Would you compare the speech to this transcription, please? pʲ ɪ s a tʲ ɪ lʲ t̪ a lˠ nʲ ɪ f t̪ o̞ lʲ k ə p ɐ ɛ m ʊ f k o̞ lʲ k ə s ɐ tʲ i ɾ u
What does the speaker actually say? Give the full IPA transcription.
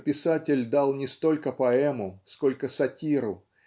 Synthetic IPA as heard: pʲ ɪ s a tʲ ɪ lʲ d̪ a lˠ nʲ ɪ s t̪ o̞ lʲ k ə p ɐ ɛ m ʊ s k o̞ lʲ k ə s ɐ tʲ i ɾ ʊ